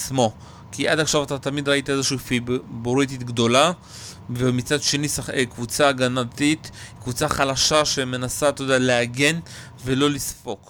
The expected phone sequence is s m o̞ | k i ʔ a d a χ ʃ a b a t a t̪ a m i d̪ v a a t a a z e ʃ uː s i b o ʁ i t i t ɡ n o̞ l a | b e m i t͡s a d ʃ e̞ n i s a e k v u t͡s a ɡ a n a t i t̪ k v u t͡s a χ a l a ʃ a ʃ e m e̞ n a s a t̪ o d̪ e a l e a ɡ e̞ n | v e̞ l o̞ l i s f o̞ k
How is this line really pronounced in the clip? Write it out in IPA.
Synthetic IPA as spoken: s m o̞ | k i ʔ a d a χ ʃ a v a t a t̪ a m i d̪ ʁ a i t a e z e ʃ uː f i b o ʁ i t i t ɡ d o̞ l a | v e m i t͡s a d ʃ e̞ n i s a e k v u t͡s a ɡ a n a t i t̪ k v u t͡s a χ a l a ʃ a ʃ e m e̞ n a s a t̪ o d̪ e a l e a ɡ e̞ n | v e̞ l o̞ l i s f o̞ k